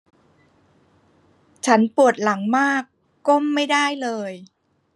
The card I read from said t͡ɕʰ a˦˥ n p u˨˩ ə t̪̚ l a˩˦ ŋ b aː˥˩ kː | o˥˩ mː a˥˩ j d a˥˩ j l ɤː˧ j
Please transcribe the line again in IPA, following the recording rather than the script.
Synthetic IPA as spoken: t͡ɕʰ a˦˥ n p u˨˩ ə t̪̚ l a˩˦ ŋ m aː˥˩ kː | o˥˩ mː a˥˩ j d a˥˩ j l ɤː˧ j